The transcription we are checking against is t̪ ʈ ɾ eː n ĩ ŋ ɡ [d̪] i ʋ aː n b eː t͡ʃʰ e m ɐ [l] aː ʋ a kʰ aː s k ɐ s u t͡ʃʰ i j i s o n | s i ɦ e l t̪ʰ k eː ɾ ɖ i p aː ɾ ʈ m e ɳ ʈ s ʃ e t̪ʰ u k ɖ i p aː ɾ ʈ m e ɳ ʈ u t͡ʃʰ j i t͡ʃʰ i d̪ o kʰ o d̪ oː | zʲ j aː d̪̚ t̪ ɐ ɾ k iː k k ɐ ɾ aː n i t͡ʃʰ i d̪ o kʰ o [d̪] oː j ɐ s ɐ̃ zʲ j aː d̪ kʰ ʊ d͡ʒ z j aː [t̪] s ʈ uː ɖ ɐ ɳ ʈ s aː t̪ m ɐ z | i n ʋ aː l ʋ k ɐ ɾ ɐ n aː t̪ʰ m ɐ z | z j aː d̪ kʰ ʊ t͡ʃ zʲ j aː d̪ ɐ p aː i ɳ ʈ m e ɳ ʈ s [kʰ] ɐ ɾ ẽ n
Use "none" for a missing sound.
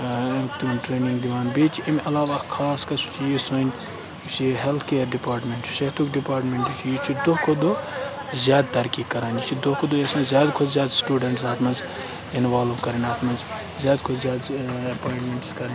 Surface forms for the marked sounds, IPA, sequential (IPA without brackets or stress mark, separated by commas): d̪, l, d̪, d̪, k